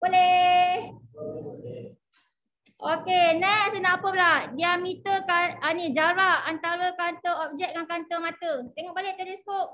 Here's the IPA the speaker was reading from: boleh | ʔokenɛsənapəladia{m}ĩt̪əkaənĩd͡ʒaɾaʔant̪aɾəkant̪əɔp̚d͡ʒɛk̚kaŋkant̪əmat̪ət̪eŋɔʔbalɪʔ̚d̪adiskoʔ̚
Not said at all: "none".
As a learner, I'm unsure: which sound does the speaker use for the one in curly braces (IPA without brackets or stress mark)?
m